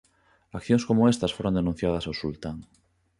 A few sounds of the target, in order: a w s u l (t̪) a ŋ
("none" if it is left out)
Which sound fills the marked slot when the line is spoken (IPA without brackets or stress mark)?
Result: t̪